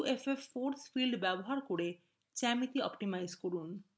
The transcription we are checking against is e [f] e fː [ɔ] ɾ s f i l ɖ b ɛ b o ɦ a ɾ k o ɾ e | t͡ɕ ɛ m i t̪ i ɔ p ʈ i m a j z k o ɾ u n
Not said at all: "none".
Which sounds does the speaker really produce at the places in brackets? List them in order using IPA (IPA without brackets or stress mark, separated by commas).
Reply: f, o